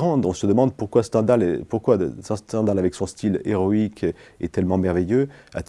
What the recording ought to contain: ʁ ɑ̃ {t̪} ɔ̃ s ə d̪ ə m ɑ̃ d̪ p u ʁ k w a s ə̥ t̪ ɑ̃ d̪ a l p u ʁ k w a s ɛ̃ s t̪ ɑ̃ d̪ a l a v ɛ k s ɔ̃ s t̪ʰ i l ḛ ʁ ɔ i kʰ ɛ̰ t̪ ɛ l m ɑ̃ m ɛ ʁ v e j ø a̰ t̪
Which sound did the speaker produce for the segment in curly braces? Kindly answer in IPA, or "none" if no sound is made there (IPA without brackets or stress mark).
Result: d̪